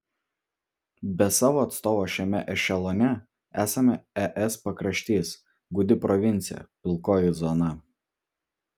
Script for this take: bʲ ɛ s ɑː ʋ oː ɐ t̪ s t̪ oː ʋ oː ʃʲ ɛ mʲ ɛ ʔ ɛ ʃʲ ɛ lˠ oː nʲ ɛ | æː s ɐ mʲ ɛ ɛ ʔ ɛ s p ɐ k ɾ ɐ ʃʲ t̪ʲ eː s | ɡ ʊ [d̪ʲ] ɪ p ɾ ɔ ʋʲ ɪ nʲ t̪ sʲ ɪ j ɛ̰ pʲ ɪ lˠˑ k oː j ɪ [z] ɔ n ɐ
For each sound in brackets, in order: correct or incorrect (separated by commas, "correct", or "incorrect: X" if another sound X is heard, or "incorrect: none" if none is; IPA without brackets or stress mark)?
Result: correct, correct